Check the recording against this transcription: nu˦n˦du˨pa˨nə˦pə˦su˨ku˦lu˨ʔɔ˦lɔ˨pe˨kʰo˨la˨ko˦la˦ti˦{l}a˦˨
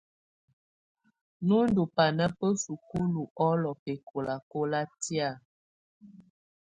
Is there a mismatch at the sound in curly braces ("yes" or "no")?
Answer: yes